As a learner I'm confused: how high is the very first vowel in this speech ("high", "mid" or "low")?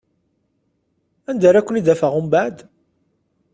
low